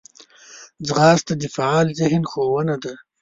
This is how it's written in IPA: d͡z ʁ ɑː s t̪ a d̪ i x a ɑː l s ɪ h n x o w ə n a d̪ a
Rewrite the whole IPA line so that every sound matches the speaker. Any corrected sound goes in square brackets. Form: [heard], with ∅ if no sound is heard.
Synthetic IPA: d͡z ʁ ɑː s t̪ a d̪ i [f] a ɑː l [z] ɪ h n x o w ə n a d̪ a